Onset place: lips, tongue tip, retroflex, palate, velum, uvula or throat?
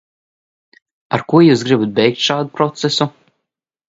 tongue tip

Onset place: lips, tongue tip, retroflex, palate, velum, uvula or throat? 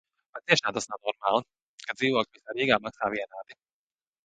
lips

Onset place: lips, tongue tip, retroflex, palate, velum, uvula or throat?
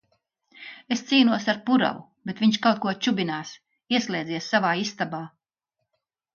tongue tip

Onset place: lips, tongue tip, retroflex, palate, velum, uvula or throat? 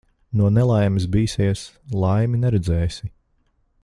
tongue tip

